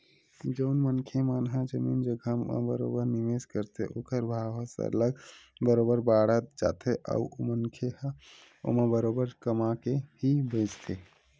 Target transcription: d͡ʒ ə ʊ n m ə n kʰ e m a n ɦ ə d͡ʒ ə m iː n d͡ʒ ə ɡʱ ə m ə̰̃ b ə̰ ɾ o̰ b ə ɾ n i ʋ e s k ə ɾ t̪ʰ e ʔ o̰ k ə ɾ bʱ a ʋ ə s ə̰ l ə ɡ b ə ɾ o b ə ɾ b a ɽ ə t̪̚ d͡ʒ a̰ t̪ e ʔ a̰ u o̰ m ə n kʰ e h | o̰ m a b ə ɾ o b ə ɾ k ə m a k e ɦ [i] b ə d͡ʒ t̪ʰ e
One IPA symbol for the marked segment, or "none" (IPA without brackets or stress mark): i